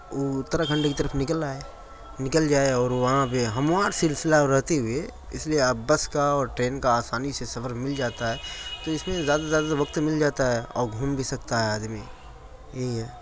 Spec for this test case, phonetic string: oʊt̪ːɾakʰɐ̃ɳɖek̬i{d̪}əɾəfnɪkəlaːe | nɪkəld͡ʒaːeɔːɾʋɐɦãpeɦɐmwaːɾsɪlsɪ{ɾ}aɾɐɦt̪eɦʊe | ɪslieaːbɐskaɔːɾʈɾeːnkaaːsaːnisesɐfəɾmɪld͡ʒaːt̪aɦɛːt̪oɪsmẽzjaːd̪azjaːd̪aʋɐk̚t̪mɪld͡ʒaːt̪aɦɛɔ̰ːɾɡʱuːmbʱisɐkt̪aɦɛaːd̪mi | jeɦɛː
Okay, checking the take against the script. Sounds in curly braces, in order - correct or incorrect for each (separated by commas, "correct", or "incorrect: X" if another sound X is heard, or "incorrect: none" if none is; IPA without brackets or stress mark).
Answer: incorrect: t̪, incorrect: l